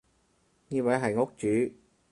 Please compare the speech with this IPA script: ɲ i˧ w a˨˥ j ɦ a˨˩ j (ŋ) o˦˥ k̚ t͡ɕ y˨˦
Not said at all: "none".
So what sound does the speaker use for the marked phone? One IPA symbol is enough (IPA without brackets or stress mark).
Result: ŋ